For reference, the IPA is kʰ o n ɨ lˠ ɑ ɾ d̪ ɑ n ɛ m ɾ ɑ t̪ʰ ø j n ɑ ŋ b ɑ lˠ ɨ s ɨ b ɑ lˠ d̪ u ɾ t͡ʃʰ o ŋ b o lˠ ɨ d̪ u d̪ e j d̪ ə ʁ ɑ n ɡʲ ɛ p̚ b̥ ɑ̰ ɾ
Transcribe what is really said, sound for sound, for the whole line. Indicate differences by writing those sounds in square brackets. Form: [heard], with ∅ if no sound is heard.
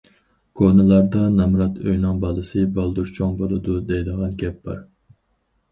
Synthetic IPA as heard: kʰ o n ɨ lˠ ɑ ɾ d̪ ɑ n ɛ m ɾ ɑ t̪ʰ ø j n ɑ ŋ b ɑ lˠ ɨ s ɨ b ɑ lˠ d̪ u ɾ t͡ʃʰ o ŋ b o lˠ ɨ d̪ u d̪ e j d̪ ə ʁ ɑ n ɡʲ ɛ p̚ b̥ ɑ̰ ɾ